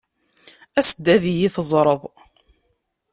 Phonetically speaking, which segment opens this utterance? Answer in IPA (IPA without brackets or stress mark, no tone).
æ